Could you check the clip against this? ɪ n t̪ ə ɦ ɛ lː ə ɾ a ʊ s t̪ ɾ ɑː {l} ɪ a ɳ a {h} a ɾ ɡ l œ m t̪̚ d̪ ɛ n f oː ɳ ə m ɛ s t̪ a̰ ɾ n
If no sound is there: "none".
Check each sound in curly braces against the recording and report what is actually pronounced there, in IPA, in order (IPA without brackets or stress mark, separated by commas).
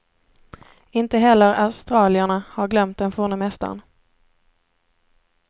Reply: l, h